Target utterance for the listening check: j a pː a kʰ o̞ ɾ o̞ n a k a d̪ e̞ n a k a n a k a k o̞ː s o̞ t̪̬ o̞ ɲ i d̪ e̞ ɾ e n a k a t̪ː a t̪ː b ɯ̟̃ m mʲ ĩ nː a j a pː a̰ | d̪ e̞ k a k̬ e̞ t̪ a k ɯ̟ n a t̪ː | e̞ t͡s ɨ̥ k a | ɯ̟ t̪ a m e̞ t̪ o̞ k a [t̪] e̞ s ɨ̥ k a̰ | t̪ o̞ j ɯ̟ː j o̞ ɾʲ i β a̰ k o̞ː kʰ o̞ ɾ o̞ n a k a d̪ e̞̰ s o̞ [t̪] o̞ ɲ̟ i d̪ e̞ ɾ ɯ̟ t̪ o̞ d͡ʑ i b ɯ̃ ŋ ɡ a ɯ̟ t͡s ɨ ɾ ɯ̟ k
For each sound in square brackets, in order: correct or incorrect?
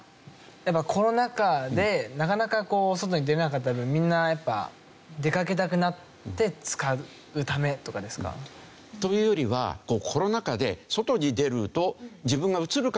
incorrect: d̪, correct

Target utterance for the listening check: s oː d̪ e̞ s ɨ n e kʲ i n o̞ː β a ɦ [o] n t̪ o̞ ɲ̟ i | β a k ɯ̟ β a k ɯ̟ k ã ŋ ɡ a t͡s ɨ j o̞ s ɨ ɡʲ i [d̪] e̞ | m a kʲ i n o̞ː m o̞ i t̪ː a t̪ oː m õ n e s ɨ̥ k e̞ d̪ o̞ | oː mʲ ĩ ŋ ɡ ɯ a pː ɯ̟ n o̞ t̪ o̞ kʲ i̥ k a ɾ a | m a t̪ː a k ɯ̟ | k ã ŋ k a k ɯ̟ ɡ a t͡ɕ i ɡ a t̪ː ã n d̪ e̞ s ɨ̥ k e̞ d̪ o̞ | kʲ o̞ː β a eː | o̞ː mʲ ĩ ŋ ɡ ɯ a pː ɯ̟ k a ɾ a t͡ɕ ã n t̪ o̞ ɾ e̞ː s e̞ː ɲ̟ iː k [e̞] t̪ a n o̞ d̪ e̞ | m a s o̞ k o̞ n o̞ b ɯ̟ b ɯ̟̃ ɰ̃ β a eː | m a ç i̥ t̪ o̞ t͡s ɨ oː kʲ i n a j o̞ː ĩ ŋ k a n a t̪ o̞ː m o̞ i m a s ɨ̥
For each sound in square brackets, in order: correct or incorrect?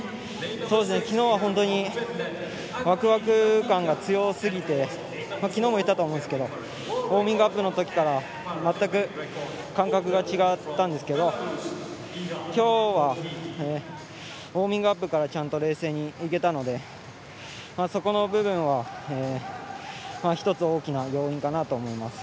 incorrect: õ, incorrect: t̪, correct

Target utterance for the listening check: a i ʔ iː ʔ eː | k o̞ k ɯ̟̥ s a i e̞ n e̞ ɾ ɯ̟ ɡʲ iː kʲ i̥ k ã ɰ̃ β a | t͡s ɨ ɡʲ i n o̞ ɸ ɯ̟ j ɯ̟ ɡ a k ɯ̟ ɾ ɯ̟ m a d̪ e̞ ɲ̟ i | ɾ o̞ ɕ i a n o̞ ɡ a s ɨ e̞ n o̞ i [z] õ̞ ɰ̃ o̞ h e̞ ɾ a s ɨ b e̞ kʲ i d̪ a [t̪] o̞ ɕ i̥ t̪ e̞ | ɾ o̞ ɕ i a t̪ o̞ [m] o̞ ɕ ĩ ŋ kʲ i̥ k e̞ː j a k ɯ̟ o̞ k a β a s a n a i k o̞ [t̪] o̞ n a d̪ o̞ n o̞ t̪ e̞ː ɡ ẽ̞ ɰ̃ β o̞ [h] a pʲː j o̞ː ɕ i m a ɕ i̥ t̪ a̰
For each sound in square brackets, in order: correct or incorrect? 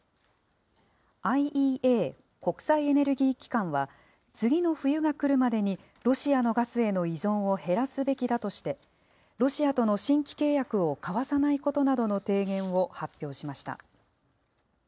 correct, correct, incorrect: n, correct, correct

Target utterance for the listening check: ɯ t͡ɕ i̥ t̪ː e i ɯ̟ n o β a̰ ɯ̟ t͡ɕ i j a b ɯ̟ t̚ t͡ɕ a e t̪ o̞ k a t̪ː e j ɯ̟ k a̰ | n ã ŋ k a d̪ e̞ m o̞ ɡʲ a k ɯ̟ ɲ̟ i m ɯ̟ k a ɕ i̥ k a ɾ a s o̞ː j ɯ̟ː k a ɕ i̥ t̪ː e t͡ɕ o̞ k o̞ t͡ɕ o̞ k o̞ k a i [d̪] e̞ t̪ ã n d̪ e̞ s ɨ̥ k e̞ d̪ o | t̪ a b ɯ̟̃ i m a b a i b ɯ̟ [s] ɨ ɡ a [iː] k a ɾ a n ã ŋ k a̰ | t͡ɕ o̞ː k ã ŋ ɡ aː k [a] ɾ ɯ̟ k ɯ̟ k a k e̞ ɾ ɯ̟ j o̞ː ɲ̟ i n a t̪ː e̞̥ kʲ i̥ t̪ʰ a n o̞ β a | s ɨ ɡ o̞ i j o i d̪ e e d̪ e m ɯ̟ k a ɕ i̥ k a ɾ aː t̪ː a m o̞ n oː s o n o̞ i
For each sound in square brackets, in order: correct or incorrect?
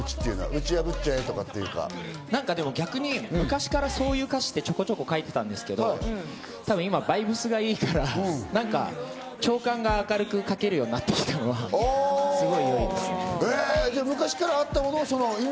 incorrect: t̪, correct, correct, correct

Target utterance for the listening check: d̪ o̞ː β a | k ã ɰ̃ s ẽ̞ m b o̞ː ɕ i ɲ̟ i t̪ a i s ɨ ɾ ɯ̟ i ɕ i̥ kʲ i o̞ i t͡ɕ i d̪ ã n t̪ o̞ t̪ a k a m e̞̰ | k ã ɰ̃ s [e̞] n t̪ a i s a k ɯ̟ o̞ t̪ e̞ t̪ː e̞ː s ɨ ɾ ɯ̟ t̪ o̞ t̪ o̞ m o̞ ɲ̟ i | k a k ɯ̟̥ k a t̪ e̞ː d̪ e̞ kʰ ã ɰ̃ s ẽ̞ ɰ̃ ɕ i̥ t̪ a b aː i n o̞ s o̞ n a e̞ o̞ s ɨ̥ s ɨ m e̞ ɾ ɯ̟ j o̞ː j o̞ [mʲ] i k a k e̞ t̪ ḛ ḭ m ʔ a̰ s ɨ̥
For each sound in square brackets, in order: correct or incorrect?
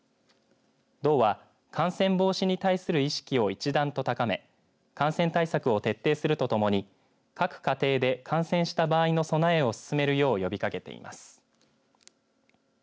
incorrect: ẽ̞, incorrect: bʲ

